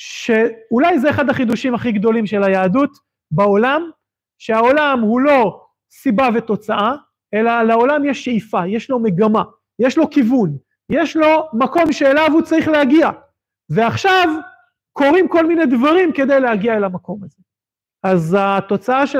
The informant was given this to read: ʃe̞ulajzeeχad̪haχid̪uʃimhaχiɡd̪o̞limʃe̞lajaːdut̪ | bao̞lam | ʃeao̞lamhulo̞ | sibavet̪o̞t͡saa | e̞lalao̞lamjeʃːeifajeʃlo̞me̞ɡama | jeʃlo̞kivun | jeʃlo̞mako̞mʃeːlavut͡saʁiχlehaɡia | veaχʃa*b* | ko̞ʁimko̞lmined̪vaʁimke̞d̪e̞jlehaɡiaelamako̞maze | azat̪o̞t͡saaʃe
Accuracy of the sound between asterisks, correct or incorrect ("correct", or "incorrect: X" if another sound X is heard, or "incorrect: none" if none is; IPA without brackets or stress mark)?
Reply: incorrect: v